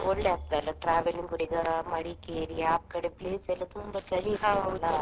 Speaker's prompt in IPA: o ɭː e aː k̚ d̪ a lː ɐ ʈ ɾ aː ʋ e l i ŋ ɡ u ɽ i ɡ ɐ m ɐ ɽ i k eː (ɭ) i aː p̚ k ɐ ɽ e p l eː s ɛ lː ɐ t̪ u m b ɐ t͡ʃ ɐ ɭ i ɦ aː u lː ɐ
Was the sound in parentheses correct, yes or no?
no